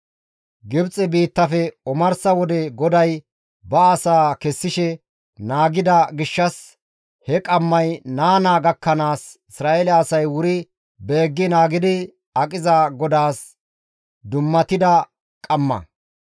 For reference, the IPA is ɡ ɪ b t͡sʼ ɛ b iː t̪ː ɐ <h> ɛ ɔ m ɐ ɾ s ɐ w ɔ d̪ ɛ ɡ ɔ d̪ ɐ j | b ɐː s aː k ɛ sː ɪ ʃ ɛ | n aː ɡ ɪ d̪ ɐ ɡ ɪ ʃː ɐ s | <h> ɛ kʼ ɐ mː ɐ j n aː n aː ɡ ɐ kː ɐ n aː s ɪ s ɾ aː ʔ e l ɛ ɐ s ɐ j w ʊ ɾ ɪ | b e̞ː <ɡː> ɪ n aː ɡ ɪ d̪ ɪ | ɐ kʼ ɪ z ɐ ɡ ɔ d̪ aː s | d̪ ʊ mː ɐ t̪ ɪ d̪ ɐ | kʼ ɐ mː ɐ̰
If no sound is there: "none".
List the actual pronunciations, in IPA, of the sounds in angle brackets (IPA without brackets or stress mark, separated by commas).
f, h, ɡː